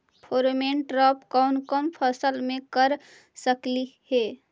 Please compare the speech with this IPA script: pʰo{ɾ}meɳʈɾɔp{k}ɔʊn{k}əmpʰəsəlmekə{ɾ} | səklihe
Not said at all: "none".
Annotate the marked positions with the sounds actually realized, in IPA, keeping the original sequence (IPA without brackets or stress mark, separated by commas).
ɾ, k, k, ɾ